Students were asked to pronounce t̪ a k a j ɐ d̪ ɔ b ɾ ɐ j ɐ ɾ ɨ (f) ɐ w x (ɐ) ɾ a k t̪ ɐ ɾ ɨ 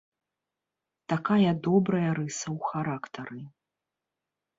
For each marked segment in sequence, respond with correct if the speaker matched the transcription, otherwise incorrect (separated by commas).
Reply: incorrect, incorrect